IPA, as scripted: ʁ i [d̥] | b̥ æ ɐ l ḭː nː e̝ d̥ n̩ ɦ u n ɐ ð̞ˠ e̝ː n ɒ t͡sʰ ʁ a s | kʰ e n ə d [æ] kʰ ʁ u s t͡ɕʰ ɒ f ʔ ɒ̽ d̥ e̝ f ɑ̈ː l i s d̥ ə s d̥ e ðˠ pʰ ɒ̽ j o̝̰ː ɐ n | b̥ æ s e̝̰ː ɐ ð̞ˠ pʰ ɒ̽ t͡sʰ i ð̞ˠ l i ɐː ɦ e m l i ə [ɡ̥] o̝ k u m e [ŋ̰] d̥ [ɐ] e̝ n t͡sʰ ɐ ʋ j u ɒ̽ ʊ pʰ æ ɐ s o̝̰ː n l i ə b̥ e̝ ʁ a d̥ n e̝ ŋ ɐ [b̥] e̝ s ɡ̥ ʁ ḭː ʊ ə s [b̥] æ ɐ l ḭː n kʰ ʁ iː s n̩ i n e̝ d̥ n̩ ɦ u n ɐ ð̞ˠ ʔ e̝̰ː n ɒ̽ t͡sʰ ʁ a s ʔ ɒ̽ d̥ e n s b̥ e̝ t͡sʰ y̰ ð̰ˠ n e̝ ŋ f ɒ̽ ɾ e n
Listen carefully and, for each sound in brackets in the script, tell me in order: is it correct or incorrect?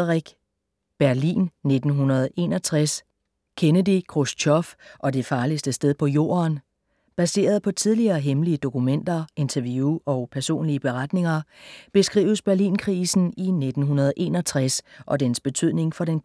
incorrect: ɡ̥, incorrect: i, incorrect: d̥, incorrect: n̰, correct, correct, correct

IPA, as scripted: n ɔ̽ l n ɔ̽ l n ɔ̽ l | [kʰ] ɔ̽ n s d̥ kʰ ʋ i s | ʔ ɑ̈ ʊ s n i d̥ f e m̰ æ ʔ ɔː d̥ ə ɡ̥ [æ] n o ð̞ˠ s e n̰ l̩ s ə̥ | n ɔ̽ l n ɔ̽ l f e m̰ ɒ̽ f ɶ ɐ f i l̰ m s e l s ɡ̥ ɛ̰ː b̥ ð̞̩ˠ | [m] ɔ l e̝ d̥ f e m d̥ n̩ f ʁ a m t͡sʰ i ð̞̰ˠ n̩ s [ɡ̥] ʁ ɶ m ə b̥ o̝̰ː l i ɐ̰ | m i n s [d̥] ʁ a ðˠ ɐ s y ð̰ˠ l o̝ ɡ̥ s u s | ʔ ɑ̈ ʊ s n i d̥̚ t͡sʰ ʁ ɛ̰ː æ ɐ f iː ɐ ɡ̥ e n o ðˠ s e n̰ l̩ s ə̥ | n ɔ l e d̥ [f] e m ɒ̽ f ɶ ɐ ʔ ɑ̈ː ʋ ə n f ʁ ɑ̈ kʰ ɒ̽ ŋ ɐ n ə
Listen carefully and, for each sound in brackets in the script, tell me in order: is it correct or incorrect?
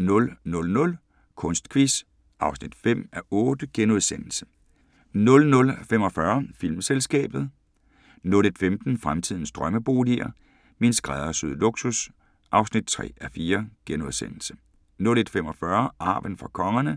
correct, incorrect: e, incorrect: n, incorrect: d̥, incorrect: ɡ̥, correct

